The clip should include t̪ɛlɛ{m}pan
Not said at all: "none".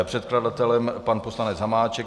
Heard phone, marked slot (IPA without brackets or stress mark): m